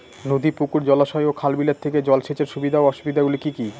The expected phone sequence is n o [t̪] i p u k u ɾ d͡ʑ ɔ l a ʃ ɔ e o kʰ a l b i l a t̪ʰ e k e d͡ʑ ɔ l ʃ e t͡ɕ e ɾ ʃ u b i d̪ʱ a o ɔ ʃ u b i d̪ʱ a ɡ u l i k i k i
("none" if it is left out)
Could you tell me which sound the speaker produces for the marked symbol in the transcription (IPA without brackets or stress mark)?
d̪